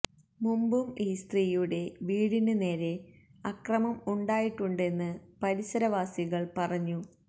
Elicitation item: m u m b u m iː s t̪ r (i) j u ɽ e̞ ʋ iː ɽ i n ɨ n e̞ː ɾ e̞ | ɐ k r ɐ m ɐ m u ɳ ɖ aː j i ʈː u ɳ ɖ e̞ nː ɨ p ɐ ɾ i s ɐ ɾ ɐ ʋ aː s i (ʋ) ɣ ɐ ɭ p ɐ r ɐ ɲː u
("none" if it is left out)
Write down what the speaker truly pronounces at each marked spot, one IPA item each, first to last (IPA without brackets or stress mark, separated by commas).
iː, none